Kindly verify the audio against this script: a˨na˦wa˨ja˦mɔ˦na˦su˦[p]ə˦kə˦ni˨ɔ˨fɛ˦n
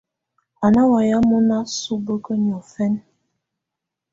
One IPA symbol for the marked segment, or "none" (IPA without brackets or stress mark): b